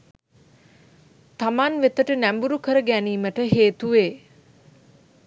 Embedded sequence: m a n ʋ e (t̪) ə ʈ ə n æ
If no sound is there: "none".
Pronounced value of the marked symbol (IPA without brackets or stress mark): t̪